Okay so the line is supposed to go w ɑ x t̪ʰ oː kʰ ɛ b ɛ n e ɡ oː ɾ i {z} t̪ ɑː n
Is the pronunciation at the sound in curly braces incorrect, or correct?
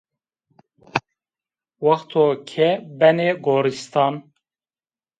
incorrect